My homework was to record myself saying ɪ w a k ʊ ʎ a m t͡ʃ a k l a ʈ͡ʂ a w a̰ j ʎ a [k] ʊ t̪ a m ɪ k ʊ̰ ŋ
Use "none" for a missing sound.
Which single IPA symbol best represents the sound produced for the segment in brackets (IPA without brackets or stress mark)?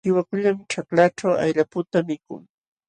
p